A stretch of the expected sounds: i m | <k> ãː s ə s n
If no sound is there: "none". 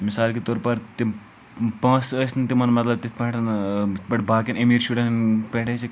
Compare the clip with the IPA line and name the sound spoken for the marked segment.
p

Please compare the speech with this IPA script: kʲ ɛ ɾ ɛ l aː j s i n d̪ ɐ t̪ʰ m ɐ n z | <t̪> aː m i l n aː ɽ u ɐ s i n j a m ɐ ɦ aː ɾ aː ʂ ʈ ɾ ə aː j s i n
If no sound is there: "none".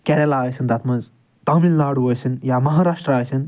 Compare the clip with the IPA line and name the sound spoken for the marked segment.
t̪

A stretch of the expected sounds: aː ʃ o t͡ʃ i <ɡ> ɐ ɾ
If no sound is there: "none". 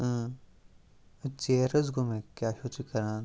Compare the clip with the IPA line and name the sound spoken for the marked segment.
k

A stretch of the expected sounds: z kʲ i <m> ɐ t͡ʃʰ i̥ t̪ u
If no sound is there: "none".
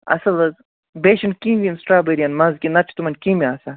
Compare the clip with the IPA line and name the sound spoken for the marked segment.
n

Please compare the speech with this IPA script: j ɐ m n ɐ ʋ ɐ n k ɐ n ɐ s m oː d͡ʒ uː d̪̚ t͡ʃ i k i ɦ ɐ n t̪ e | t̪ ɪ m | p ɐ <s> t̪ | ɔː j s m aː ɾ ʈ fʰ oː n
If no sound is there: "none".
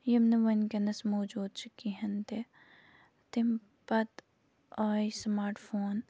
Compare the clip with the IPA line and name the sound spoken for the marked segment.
none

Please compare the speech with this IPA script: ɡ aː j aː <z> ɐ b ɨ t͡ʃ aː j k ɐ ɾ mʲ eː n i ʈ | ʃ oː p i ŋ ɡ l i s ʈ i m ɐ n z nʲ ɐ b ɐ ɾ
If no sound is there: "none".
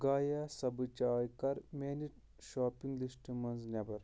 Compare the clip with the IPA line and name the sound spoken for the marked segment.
s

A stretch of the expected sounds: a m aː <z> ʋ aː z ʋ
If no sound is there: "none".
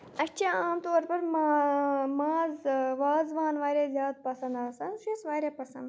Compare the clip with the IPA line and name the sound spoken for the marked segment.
z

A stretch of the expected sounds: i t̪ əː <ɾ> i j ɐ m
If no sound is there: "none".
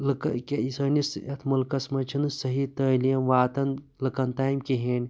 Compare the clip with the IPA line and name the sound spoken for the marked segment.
l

